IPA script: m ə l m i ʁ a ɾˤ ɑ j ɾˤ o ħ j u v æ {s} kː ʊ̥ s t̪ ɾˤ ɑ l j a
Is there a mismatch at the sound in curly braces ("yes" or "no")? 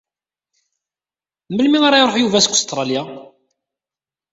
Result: no